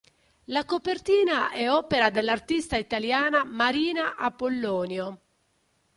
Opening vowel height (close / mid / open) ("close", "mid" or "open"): open